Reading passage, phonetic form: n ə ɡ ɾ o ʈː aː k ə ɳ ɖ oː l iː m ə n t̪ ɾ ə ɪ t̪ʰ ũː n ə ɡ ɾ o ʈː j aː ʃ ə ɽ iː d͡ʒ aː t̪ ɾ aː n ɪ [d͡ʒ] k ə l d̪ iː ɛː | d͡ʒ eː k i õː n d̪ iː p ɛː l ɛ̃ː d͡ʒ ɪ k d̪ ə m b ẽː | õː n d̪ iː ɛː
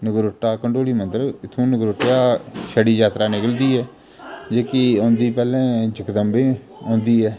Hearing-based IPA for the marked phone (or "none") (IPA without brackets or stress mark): none